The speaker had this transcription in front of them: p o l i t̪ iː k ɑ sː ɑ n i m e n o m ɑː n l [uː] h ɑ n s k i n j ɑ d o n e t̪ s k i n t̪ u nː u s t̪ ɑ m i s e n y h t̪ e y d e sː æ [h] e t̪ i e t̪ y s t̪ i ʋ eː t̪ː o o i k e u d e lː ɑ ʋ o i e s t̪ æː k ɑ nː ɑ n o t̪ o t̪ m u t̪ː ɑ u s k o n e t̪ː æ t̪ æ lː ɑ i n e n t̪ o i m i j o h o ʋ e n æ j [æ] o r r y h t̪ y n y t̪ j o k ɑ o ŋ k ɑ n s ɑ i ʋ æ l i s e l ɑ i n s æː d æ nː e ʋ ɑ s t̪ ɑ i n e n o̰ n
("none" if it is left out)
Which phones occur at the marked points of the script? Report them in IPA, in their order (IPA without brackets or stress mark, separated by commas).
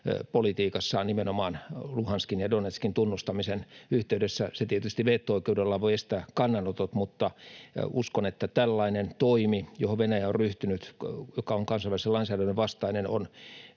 u, s, æ